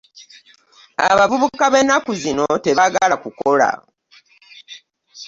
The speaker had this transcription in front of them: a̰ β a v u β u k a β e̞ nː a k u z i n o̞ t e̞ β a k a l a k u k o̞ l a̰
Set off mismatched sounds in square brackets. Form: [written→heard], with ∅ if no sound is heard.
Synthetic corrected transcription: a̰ β a v u β u k a β e̞ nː a k u z i n o̞ t e̞ β a [k→ɡ] a l a k u k o̞ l a̰